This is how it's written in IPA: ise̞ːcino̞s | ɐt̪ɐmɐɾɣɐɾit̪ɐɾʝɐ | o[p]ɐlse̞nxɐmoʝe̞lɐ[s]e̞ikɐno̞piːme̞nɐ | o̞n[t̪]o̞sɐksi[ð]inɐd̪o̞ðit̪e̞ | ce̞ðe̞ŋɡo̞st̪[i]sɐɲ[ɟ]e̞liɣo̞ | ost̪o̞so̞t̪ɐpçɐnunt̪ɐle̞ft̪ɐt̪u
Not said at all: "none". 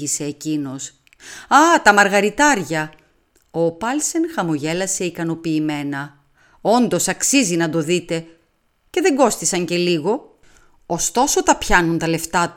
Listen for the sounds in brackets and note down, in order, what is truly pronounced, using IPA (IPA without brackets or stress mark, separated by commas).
p, s, d̪, z, i, c